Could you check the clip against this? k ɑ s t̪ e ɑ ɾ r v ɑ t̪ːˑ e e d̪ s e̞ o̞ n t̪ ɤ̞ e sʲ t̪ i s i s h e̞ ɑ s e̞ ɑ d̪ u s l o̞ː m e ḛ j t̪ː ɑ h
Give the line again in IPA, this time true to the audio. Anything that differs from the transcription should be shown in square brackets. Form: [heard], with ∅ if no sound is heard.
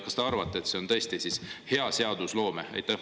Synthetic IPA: k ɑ s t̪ e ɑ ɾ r v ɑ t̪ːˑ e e [t̪] s e̞ o̞ n t̪ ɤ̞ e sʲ t̪ i s i s h e̞ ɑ s e̞ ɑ d̪ u s l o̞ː m e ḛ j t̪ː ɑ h